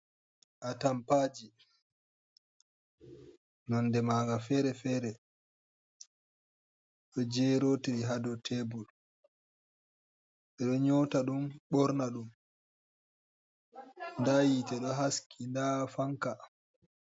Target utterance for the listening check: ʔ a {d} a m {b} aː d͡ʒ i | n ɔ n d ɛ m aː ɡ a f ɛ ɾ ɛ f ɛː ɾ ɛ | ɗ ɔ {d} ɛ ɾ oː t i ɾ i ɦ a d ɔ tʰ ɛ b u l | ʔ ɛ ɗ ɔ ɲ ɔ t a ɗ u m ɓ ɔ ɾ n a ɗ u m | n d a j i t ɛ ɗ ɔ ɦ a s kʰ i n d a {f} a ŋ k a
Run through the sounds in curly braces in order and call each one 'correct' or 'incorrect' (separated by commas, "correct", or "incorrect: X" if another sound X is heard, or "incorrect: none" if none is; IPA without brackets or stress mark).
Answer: incorrect: t, incorrect: p, incorrect: d͡ʒ, correct